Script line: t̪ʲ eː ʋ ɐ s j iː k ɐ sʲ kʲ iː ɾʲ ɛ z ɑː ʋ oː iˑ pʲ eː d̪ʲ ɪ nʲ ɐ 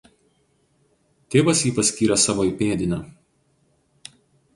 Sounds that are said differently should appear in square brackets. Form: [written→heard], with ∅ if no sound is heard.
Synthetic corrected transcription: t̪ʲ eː ʋ ɐ s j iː [k→p] ɐ sʲ kʲ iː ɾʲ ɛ [z→s] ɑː ʋ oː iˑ pʲ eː d̪ʲ ɪ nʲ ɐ